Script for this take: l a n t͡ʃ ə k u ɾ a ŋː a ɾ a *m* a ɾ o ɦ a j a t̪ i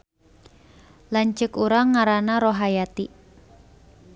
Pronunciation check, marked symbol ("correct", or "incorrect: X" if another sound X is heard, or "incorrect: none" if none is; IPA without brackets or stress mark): incorrect: n